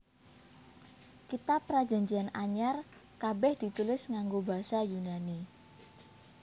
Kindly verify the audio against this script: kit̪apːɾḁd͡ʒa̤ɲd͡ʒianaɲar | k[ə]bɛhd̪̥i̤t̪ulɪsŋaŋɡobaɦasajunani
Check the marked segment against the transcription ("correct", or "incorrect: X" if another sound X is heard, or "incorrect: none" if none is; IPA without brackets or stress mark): incorrect: a